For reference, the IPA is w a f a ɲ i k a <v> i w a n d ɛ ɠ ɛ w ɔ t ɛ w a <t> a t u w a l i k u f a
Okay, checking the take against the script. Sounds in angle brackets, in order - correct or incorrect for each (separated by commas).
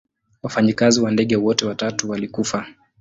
incorrect, correct